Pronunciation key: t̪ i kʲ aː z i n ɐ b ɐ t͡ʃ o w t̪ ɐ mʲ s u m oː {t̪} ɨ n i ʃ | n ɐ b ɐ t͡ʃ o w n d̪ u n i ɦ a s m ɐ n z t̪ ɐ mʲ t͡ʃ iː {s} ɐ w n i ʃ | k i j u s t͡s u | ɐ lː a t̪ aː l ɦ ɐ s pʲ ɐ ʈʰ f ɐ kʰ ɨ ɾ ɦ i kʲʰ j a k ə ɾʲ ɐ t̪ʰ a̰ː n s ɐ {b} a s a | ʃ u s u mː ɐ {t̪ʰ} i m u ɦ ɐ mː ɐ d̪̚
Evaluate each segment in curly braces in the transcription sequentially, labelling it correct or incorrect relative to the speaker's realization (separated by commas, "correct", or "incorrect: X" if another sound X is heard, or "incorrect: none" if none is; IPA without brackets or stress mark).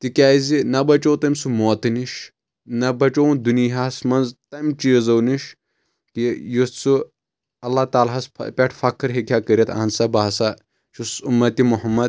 correct, incorrect: z, correct, incorrect: t̪